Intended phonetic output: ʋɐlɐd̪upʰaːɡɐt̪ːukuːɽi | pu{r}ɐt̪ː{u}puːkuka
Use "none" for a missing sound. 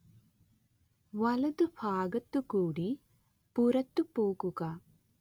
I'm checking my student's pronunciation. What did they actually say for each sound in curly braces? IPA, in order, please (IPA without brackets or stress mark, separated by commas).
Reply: ɾ, u